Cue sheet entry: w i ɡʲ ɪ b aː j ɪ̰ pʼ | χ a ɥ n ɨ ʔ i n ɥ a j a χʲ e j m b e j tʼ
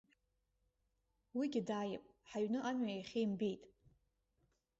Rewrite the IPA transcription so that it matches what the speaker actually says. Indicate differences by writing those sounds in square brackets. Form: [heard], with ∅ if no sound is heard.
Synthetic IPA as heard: w i ɡʲ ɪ [d] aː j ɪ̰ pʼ | [ħ] a ɥ n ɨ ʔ [a] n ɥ a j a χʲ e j m b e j tʼ